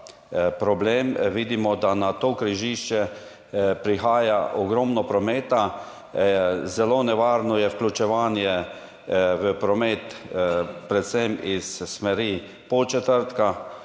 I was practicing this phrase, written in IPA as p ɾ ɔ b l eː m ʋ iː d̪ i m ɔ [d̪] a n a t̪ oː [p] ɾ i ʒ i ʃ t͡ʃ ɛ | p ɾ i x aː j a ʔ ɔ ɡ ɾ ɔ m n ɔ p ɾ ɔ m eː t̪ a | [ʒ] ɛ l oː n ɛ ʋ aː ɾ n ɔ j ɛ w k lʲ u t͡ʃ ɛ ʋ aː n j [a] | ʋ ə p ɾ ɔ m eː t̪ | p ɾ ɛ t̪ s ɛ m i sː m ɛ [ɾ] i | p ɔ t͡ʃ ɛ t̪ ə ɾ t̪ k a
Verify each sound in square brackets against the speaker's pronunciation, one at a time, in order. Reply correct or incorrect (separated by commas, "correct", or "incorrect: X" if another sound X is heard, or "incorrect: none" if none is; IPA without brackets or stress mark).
correct, incorrect: k, incorrect: z, incorrect: ɛ, correct